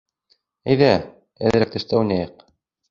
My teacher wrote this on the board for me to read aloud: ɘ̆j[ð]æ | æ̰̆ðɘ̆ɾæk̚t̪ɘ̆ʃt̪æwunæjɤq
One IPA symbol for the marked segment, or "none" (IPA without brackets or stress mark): ð